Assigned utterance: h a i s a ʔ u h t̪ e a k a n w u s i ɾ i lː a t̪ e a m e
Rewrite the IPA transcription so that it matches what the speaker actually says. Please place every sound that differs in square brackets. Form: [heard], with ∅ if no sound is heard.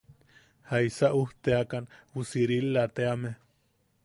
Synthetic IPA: h a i s a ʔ u h t̪ e a k a n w u s i ɾ i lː a t̪ e a m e